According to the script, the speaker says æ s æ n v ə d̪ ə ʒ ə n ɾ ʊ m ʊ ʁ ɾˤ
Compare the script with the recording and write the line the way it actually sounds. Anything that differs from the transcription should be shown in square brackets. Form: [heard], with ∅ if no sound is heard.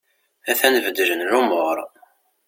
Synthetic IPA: æ [θ] æ n v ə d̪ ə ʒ ə n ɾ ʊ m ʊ ʁ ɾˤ